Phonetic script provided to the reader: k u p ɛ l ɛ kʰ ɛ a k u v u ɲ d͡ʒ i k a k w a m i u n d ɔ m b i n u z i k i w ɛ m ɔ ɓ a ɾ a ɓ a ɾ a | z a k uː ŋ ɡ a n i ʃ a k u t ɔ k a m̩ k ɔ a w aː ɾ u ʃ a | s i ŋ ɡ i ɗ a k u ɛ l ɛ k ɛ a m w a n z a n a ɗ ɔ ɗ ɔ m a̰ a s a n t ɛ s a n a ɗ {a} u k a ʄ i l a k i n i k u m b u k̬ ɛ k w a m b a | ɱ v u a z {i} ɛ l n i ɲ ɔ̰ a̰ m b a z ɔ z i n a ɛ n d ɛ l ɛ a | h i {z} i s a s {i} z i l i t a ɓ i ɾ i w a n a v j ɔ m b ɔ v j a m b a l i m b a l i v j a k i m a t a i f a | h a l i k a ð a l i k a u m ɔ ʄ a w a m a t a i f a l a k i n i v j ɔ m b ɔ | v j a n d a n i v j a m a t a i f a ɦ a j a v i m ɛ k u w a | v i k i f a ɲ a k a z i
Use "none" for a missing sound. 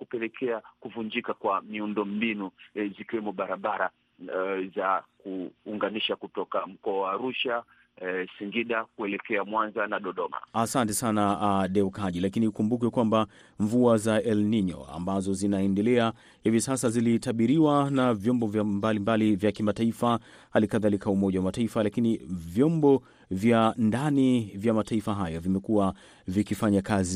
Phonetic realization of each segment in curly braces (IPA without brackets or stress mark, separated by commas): ɛ, a, v, a